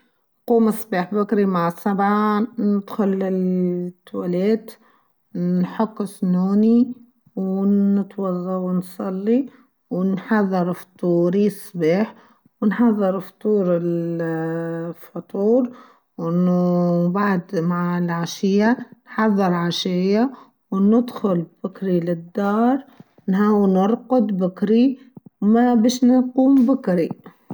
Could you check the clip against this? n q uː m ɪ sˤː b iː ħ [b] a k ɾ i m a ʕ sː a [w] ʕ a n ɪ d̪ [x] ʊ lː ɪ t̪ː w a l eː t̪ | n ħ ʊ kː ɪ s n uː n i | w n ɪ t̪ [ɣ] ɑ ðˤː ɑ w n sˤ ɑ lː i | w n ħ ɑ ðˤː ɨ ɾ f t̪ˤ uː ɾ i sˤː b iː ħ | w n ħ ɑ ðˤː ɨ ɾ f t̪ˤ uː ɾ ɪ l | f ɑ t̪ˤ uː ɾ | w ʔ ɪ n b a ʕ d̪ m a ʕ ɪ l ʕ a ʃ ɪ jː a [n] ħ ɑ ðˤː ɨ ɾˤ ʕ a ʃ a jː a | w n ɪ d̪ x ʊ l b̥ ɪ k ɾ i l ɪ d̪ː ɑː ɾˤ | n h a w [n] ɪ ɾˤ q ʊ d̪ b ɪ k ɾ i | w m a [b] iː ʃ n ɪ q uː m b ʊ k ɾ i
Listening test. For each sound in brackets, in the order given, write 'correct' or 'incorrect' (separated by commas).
correct, incorrect, correct, incorrect, correct, correct, correct